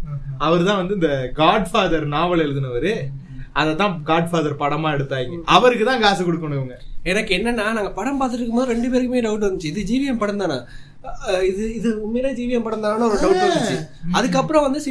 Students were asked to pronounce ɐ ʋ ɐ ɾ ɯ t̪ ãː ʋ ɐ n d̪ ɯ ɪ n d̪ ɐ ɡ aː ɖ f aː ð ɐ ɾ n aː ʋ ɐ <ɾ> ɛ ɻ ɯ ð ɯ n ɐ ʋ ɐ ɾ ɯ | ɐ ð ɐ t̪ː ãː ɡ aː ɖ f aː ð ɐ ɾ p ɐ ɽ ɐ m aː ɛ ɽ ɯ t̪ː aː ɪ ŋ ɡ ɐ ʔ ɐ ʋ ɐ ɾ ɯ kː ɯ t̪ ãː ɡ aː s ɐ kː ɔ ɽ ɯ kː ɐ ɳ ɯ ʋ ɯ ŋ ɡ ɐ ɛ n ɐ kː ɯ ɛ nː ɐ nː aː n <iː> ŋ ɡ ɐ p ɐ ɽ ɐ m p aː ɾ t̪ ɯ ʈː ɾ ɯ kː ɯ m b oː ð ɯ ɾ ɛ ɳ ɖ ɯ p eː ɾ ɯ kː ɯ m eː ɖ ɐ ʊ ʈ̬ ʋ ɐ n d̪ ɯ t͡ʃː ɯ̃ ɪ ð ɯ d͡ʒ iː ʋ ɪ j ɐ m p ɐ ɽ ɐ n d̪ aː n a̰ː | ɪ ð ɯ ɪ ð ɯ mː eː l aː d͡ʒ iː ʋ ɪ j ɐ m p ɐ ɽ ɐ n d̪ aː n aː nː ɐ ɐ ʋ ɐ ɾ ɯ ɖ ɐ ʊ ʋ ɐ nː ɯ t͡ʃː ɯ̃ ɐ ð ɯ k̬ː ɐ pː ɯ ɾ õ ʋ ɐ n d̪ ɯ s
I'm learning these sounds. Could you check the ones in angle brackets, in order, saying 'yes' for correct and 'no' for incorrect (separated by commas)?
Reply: no, no